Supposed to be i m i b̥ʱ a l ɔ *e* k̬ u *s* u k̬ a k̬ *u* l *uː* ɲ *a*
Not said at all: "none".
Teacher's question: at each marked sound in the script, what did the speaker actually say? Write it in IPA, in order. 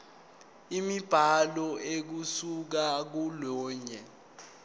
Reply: e, s, u, ɔː, ɛ

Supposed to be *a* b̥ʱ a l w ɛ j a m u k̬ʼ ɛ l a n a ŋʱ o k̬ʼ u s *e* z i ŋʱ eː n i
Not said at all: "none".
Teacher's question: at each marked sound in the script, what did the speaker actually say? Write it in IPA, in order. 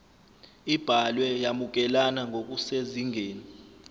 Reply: i, e

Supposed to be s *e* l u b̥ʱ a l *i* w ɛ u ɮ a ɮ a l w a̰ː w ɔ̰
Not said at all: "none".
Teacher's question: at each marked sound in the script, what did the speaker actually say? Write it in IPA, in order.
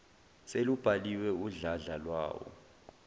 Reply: e, i

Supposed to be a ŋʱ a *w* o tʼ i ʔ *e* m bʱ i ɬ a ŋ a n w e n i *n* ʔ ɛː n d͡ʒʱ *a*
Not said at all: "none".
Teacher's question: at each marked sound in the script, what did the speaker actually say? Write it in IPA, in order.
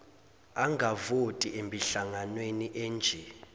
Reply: v, e, none, ɛ

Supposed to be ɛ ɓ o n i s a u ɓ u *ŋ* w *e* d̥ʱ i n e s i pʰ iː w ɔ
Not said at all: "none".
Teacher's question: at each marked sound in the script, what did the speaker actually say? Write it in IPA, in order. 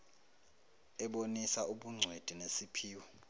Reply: ŋ͡ǀʱ, e

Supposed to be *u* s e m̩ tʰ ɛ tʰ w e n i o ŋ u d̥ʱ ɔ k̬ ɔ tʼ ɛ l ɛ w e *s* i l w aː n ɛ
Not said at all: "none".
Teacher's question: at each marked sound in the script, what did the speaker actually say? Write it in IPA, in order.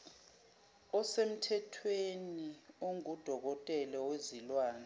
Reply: ɔ, z

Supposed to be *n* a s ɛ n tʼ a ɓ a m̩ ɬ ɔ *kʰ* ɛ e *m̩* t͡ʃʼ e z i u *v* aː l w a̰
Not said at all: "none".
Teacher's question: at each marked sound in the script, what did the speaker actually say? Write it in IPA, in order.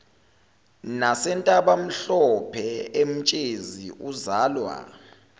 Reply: n, pʰ, m̩, z

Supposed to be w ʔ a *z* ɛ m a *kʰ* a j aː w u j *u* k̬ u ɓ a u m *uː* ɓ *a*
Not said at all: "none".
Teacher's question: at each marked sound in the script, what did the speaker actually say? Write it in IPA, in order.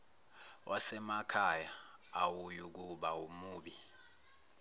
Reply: s, kʰ, u, uː, i

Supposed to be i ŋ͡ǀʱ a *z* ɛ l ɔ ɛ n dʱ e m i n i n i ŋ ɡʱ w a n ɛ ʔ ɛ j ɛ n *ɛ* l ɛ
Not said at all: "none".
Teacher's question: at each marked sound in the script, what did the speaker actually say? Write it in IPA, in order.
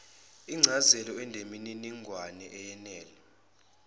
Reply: z, ɛː

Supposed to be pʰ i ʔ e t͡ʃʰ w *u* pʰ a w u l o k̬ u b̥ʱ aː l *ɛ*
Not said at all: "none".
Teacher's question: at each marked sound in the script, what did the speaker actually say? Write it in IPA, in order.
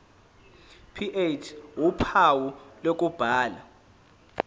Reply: u, a

